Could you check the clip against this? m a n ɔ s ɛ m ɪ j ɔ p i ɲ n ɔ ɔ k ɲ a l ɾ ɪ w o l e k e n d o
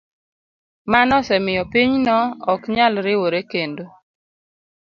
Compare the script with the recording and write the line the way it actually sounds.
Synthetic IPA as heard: m a n ɔ s ɛ m ɪ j ɔ p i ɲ n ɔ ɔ k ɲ a l ɾ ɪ w o ɾ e k e n d o